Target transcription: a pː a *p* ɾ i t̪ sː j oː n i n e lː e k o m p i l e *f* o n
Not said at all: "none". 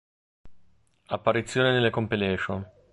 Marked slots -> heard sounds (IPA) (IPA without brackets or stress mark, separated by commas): none, ʃ